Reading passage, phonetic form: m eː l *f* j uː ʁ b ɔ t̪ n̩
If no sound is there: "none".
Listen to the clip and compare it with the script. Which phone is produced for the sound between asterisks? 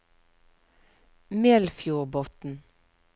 f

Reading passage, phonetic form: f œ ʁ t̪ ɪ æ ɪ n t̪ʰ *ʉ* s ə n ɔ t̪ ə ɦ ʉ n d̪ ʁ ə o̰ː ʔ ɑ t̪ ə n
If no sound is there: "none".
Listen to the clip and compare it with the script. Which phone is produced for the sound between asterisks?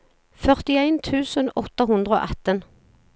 ʉː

